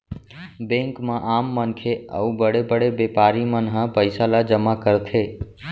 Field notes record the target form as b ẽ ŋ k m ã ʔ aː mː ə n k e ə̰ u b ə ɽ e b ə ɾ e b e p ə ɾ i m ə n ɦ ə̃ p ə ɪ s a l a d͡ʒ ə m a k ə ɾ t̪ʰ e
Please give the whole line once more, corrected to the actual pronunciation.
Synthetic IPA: b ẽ ŋ k m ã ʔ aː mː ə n kʰ e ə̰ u b ə ɽ e b ə ɽ e b e p a ɾ i m ə n ɦ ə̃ p ə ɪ s a l a d͡ʒ ə m a k ə ɾ t̪ʰ e